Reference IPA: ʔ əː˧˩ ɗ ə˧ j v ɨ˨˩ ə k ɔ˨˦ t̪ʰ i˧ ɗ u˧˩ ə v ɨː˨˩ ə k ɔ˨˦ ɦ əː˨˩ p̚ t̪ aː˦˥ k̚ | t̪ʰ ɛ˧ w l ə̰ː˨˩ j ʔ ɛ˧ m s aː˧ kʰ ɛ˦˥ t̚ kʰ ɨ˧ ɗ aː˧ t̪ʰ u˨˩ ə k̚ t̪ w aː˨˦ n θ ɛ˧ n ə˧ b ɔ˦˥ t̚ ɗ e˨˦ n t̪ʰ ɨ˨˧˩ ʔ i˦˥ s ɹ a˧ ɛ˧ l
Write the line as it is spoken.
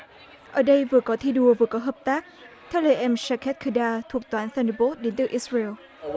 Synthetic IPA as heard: ʔ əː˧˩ ɗ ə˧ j v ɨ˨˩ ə k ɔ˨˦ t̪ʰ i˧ ɗ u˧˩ ə v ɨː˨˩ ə k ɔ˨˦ ɦ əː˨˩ p̚ t̪ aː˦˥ k̚ | t̪ʰ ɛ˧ w l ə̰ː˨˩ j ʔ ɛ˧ m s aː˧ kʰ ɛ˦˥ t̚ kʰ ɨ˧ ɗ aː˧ t̪ʰ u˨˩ ə k̚ t̪ w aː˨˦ n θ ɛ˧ n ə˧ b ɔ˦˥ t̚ ɗ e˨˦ n t̪ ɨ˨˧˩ ʔ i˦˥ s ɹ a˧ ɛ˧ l